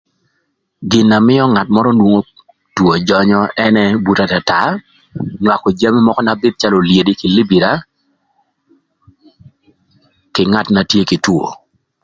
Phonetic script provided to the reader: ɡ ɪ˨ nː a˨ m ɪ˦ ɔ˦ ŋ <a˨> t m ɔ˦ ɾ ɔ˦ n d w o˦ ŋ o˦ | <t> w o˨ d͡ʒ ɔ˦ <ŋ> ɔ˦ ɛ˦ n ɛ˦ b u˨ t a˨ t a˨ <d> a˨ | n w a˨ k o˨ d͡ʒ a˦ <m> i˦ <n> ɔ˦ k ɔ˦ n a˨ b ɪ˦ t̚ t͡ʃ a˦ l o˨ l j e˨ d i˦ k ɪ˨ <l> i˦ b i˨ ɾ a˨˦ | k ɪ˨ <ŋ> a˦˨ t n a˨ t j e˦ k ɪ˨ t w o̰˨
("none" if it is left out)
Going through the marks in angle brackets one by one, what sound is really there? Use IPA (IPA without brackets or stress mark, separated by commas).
a˨, t, ɲ, t, m, m, l, ŋ